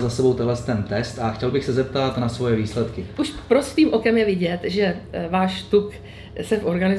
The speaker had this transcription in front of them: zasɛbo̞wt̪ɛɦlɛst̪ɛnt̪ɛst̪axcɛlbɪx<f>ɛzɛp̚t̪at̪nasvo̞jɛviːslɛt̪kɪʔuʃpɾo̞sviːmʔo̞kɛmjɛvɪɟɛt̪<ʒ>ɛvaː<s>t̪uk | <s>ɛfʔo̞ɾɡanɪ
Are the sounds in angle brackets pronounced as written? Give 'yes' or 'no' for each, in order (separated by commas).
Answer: no, yes, no, yes